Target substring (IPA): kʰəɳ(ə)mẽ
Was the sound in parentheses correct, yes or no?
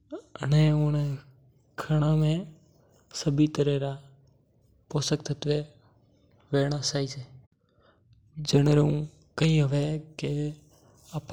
no